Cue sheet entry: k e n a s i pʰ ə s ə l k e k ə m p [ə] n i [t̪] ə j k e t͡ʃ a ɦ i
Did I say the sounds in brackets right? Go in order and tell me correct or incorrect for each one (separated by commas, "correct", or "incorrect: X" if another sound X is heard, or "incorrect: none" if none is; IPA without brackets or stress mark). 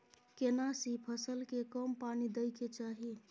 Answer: incorrect: a, incorrect: d̪